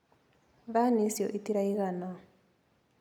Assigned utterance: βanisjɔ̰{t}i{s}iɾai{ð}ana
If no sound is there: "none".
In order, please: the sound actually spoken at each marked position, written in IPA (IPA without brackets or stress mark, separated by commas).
ʔ, t, ɣ